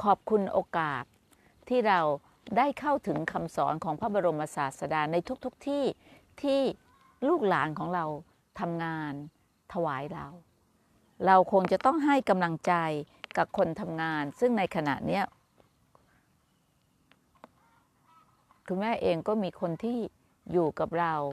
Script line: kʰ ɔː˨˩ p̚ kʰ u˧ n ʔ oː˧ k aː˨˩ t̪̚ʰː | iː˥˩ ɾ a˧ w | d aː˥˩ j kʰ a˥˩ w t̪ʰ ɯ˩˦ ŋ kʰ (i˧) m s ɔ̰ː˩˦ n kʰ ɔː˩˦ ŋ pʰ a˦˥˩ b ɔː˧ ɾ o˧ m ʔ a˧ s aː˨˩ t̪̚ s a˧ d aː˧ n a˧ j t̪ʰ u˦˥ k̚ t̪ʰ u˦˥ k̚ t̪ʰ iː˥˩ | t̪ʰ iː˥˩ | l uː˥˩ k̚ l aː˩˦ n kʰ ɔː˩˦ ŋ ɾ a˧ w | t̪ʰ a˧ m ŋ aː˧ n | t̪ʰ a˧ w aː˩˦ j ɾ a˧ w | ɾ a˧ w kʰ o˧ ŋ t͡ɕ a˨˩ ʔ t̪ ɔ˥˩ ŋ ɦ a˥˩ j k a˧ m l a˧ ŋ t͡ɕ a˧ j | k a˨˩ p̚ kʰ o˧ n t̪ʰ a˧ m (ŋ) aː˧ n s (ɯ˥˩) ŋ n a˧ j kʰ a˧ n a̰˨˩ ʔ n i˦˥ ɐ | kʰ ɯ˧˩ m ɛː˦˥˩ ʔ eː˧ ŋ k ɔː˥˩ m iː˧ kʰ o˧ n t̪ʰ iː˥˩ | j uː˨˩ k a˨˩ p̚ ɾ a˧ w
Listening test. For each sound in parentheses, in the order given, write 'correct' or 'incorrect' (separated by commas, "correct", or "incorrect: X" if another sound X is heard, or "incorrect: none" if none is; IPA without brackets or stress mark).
incorrect: a˧, correct, correct